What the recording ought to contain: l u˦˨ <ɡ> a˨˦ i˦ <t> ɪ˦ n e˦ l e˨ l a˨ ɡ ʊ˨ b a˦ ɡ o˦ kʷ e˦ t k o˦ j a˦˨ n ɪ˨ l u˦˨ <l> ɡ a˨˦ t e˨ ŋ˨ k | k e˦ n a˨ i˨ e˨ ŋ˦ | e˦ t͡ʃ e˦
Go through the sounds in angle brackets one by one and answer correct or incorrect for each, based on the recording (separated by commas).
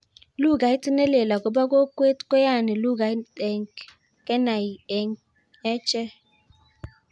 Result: correct, correct, incorrect